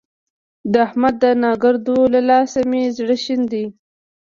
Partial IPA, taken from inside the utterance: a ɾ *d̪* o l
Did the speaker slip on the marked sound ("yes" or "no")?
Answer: no